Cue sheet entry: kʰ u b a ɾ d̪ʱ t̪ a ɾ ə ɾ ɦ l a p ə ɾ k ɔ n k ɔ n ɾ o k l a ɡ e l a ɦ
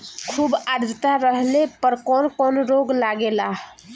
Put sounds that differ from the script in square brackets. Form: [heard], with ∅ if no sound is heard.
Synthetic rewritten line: kʰ u b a ɾ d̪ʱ t̪ a ɾ ə [∅] ɦ l [e] p ə ɾ k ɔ n k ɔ n ɾ o [ɡ] l a ɡ e l a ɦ